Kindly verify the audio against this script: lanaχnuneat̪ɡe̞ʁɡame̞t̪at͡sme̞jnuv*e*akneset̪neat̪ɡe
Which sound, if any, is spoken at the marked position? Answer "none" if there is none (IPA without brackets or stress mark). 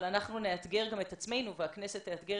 e